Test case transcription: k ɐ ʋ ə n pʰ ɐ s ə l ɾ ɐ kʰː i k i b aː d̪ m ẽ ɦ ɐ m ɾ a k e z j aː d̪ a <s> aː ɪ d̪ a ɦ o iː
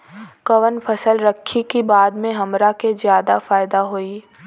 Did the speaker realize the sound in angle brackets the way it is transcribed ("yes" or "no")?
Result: no